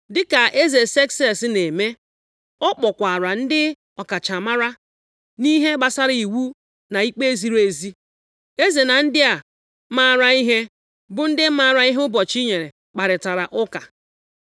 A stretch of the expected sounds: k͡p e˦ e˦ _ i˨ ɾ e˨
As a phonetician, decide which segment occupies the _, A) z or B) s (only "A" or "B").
A